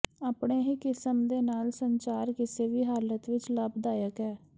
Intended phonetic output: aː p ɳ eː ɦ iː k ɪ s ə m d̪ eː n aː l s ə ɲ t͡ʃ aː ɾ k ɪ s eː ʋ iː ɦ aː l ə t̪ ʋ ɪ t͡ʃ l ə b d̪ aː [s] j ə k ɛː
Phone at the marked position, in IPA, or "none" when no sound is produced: none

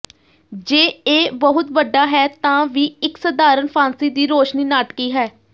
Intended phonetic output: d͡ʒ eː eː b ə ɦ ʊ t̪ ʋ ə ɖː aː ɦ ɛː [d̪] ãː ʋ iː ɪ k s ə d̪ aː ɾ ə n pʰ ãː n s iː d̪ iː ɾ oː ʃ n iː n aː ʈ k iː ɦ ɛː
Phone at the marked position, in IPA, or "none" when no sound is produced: t̪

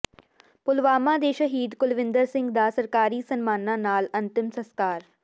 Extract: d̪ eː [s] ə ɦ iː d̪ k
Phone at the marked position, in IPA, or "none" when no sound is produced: ʃ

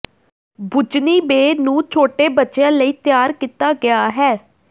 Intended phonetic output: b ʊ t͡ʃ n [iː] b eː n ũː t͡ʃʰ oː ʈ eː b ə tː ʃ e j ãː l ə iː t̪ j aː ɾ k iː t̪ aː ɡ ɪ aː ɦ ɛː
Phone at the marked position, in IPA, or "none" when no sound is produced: iː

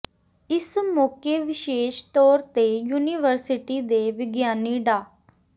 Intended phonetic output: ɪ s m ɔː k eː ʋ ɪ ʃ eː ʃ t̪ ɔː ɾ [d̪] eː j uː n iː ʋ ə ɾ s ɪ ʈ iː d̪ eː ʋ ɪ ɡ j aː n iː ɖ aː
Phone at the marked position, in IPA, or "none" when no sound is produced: t̪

